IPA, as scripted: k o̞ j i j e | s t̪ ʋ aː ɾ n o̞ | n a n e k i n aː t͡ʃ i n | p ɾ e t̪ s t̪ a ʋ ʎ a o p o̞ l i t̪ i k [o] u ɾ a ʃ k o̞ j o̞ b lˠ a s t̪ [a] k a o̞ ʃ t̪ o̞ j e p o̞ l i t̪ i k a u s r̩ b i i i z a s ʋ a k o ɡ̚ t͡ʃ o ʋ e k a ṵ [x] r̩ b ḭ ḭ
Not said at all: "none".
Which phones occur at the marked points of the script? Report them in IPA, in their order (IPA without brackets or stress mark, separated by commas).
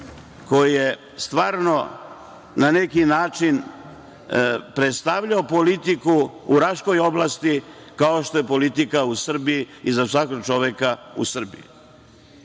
u, i, s